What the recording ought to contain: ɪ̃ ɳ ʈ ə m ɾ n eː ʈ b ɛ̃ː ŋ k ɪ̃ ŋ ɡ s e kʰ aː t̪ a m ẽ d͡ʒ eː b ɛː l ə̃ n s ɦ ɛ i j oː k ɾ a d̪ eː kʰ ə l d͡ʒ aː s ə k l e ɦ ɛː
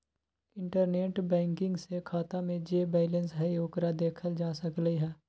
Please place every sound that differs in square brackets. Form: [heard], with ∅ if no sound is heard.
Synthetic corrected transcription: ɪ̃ ɳ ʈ ə [∅] ɾ n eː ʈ b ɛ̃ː ŋ k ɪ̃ ŋ ɡ s e kʰ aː t̪ a m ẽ d͡ʒ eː b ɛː l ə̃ n s ɦ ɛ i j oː k ɾ a d̪ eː kʰ ə l d͡ʒ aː s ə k l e ɦ ɛː